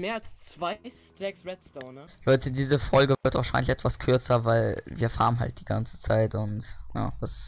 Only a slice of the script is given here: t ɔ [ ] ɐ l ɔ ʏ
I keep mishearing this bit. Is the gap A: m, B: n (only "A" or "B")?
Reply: B